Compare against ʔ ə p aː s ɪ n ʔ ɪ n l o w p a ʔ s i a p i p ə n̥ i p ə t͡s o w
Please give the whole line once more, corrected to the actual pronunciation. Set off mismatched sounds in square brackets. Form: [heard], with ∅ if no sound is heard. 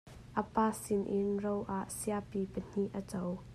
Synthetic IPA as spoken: ʔ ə p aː s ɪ n ʔ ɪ n [r] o w [ʔ] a ʔ s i a p i p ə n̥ i [ʔ] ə t͡s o w